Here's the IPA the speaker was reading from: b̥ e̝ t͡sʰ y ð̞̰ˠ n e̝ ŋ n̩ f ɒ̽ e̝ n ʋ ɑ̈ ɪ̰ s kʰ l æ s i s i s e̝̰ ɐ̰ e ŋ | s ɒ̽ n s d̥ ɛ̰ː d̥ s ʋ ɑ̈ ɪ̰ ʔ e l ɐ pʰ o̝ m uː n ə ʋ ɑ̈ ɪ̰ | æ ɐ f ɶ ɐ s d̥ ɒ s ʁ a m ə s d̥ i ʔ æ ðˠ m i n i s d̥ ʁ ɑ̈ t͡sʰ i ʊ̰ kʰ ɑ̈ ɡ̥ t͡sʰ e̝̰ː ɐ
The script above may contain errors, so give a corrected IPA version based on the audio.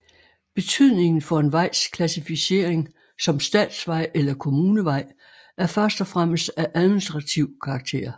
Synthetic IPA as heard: b̥ e̝ t͡sʰ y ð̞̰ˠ n e̝ ŋ n̩ f ɒ̽ e̝ n ʋ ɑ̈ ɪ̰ s kʰ l æ s i f i s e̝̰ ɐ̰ e ŋ | s ɒ̽ m s d̥ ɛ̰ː d̥ s ʋ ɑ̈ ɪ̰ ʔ e l ɐ kʰ o̝ m uː n ə ʋ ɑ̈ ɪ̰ | æ ɐ f ɶ ɐ s d̥ ɒ f ʁ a m ə s d̥ æ ʔ æ ðˠ m i n i s d̥ ʁ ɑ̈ t͡sʰ i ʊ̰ kʰ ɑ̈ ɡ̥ t͡sʰ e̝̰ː ɐ